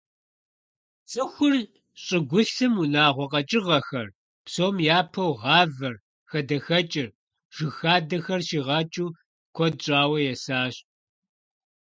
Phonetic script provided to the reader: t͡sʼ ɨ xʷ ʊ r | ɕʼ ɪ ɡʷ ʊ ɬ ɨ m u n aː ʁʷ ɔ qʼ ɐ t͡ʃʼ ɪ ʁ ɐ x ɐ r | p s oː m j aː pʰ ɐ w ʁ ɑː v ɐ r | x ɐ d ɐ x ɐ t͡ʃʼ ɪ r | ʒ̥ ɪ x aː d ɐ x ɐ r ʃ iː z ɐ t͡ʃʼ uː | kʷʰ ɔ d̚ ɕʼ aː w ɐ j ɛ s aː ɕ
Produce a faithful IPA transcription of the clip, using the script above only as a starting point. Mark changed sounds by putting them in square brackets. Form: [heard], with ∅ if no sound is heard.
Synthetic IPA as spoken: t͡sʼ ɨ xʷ ʊ r | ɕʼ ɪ ɡʷ ʊ ɬ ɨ m u n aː ʁʷ ɔ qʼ ɐ t͡ʃʼ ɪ ʁ ɐ x ɐ r | p s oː m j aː pʰ ɐ w ʁ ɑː v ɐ r | x ɐ d ɐ x ɐ t͡ʃʼ ɪ r | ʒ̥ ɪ x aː d ɐ x ɐ r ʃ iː [ʁ] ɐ t͡ʃʼ uː | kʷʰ ɔ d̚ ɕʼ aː w ɐ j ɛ s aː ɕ